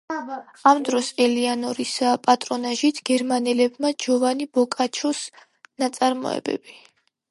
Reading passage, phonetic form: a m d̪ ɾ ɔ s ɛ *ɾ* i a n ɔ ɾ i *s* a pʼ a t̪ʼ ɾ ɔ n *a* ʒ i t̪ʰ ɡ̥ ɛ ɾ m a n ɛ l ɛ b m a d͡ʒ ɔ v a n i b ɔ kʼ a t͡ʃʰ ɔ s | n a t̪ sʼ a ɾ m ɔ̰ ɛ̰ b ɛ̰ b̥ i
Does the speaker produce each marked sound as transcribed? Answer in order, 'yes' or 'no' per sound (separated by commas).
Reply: no, yes, yes